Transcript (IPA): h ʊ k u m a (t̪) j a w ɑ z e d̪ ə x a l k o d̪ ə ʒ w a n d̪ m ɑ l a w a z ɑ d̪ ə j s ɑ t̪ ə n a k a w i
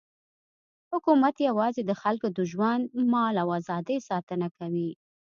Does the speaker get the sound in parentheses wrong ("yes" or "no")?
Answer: no